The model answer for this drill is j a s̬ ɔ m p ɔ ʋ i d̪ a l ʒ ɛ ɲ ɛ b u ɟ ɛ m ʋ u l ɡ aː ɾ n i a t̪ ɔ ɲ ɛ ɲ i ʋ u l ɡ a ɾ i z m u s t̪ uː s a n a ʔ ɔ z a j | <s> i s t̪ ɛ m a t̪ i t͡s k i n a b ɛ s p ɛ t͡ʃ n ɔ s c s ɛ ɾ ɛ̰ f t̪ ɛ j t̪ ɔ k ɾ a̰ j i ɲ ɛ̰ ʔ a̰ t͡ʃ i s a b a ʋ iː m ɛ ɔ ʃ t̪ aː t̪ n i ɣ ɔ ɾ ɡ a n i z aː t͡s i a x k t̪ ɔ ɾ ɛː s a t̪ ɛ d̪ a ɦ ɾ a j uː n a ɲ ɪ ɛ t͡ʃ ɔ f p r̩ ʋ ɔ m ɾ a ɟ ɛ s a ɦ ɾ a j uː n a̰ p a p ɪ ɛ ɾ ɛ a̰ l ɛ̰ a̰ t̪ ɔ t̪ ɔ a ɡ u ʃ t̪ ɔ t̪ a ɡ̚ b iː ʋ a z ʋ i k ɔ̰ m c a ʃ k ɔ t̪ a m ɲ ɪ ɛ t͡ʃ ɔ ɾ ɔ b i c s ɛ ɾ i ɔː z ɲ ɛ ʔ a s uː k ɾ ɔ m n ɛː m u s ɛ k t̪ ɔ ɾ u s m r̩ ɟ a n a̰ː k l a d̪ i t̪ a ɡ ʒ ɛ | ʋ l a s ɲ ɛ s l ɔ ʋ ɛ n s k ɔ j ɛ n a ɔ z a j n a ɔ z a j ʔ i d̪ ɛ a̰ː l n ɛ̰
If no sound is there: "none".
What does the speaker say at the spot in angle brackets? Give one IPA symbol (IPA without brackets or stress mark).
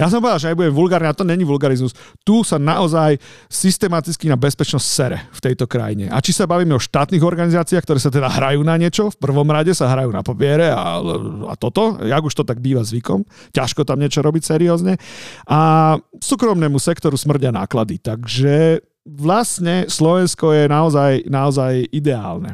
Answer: s